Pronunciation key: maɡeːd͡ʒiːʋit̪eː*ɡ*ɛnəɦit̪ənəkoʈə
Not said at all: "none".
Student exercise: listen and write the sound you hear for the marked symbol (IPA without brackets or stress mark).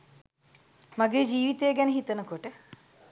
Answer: ɡ